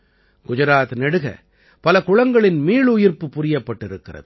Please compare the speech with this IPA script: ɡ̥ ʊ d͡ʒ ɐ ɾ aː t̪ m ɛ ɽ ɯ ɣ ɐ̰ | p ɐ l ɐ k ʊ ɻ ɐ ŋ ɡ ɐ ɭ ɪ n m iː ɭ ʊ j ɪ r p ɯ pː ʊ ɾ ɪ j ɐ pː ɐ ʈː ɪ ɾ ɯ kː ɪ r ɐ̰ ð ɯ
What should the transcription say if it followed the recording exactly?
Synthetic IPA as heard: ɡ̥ ʊ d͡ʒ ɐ ɾ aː t̪ n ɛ ɽ ɯ ɣ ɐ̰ | p ɐ l ɐ k ʊ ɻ ɐ ŋ ɡ ɐ ɭ ɪ n m iː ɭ ʊ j ɪ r p ɯ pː ʊ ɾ ɪ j ɐ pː ɐ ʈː ɪ ɾ ɯ kː ɪ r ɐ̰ ð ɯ